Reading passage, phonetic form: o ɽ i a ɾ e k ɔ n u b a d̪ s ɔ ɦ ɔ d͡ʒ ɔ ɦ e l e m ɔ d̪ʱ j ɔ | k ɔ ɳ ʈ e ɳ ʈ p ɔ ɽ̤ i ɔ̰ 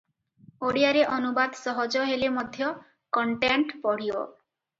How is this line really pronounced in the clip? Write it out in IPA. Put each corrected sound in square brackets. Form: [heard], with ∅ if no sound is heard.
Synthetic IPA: o ɽ i a ɾ e [ʔ] ɔ n u b a d̪ s ɔ ɦ ɔ d͡ʒ ɔ ɦ e l e m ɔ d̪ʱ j ɔ | k ɔ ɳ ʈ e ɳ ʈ p ɔ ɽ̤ i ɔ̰

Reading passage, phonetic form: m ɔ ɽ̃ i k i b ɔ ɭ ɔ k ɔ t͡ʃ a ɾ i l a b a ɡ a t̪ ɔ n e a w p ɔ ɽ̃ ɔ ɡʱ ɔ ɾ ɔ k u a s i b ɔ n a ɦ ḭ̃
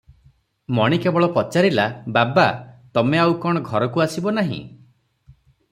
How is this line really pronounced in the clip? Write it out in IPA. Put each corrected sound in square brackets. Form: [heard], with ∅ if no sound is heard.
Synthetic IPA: m ɔ ɽ̃ i k [e] b ɔ ɭ ɔ [p] ɔ t͡ʃ a ɾ i l a b a [b] a t̪ ɔ [m] e a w [k] ɔ ɽ̃ ɔ ɡʱ ɔ ɾ ɔ k u a s i b ɔ n a ɦ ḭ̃

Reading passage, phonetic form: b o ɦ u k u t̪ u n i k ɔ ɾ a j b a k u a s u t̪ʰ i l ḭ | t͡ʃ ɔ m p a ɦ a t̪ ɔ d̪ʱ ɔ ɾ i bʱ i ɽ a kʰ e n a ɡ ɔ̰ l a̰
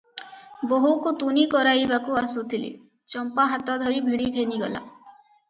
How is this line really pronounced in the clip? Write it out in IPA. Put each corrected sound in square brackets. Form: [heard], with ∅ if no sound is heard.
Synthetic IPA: b o ɦ u k u t̪ u n i k ɔ ɾ a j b a k u a s u t̪ʰ i l ḭ | t͡ʃ ɔ m p a ɦ a t̪ ɔ d̪ʱ ɔ ɾ i bʱ i ɽ [i] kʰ e n [i] ɡ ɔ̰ l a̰

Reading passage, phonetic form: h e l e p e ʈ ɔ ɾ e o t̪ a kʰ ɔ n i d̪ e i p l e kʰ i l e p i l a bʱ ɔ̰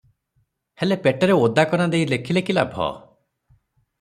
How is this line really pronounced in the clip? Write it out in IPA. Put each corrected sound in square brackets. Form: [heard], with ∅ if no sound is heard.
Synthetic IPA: h e l e p e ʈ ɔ ɾ e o [d̪] a [k] ɔ n [a] d̪ e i [∅] l e kʰ i l e [k] i l a bʱ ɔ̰

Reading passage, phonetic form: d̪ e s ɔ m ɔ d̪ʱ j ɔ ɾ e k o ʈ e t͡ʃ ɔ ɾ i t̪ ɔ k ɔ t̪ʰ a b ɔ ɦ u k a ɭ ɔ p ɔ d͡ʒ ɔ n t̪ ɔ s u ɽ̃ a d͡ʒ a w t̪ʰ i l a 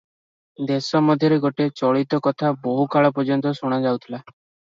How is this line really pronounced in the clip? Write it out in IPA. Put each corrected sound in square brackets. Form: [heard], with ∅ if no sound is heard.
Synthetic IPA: d̪ e s ɔ m ɔ d̪ʱ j ɔ ɾ e [ɡ] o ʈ e t͡ʃ ɔ [ɭ] i t̪ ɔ k ɔ t̪ʰ a b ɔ ɦ u k a ɭ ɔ p ɔ d͡ʒ ɔ n t̪ ɔ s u ɽ̃ a d͡ʒ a w t̪ʰ i l a

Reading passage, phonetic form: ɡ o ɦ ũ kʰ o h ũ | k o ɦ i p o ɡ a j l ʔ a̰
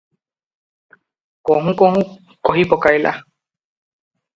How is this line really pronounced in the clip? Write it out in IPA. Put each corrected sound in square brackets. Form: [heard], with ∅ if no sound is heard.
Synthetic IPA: [k] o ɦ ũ [k] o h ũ | k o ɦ i p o [k] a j l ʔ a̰

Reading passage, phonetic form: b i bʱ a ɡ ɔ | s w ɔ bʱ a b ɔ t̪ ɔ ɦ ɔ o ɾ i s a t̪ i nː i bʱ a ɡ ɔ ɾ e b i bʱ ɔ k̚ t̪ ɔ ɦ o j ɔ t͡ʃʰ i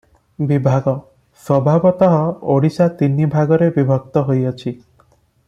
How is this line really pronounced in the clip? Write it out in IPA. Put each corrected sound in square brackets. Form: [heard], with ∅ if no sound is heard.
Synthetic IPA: b i bʱ a ɡ ɔ | s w ɔ bʱ a b ɔ t̪ ɔ ɦ ɔ o [ɽ] i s a t̪ i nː i bʱ a ɡ ɔ ɾ e b i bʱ ɔ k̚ t̪ ɔ ɦ o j ɔ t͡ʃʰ i

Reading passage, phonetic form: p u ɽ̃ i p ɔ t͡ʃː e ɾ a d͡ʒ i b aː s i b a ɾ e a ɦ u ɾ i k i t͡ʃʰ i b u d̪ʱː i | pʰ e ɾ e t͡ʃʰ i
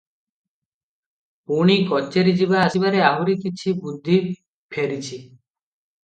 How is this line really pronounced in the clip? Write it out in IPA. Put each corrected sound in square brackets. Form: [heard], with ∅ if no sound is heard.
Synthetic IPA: p u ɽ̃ i [k] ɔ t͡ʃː e ɾ [i] d͡ʒ i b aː s i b a ɾ e a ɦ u ɾ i k i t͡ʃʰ i b u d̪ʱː i | pʰ e ɾ [i] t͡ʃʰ i

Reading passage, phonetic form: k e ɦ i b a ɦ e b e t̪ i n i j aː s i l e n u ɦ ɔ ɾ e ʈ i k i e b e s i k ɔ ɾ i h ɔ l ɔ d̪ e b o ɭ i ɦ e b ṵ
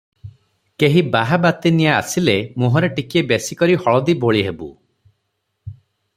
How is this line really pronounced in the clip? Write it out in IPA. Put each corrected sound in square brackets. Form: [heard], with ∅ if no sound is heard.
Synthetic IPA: k e ɦ i b a ɦ [a] b [a] t̪ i n i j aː s i l e [m] u ɦ ɔ ɾ e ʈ i k i e b e s i k ɔ ɾ i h ɔ [ɭ] ɔ d̪ [i] b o ɭ i ɦ e b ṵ

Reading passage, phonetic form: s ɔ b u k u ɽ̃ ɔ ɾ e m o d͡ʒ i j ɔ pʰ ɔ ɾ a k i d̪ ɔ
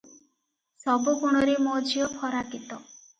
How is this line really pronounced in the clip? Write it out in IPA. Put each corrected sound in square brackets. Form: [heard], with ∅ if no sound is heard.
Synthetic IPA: s ɔ b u k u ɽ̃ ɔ ɾ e m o d͡ʒ i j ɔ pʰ ɔ ɾ a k i [t̪] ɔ

